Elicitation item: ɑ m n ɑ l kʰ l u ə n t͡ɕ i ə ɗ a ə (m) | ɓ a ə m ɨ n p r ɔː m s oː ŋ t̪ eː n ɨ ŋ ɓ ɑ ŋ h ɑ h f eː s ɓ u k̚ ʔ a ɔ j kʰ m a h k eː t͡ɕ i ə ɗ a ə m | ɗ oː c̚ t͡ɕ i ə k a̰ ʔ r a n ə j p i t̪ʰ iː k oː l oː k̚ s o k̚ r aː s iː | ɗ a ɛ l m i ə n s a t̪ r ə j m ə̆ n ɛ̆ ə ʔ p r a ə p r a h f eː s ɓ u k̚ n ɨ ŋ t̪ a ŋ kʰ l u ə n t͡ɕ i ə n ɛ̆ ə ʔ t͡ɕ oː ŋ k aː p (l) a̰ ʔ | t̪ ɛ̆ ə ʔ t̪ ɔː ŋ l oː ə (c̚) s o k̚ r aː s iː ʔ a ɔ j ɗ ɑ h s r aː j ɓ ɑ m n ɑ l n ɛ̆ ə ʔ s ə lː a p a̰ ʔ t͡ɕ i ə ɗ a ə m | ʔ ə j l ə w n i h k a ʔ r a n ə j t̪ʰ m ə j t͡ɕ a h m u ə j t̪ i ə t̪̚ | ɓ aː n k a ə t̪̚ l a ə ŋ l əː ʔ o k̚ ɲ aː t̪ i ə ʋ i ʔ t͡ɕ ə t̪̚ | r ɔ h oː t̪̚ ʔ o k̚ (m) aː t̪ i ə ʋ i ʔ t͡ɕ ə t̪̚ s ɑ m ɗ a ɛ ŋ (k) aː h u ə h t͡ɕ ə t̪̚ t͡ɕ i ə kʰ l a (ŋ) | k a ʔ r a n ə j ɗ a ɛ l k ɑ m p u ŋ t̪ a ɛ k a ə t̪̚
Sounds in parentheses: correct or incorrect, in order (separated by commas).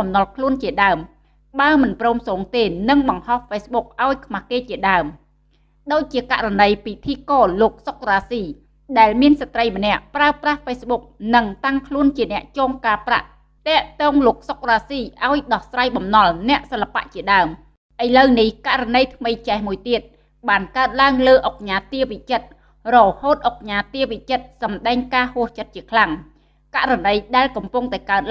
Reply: correct, incorrect, incorrect, incorrect, correct, correct